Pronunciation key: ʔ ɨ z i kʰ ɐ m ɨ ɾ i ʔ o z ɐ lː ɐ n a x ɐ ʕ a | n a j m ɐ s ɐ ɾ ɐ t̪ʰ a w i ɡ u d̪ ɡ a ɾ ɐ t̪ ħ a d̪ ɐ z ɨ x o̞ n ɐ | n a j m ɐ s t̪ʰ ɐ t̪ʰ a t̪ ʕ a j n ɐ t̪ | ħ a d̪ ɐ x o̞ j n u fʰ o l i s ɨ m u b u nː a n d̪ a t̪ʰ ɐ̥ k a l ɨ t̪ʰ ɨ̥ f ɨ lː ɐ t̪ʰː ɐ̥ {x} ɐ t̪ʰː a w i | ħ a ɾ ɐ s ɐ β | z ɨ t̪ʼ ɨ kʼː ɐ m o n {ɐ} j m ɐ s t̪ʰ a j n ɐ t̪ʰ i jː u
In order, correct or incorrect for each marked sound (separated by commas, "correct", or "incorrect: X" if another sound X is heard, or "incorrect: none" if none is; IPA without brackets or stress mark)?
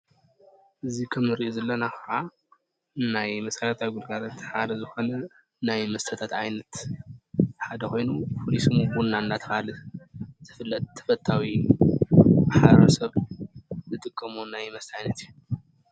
incorrect: f, incorrect: a